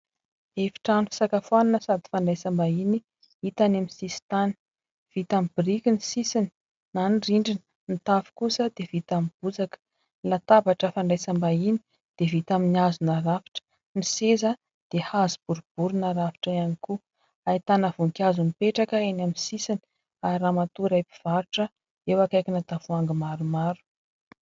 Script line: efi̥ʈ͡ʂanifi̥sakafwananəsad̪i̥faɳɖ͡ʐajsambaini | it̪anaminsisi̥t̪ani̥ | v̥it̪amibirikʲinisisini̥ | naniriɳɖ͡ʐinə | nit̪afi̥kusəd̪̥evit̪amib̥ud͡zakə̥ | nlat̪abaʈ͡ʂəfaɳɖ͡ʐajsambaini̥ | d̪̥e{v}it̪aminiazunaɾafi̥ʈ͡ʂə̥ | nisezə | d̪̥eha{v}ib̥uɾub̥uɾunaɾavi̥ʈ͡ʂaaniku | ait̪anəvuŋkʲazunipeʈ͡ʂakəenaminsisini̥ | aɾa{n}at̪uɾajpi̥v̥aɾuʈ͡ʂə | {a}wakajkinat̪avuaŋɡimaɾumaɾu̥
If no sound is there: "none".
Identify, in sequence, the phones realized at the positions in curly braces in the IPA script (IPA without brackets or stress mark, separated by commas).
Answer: v, z, m, e